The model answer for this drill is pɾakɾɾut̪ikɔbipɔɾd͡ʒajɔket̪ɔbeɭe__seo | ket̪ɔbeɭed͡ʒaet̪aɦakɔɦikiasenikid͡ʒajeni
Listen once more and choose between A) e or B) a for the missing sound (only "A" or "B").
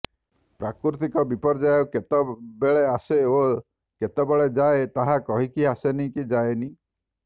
B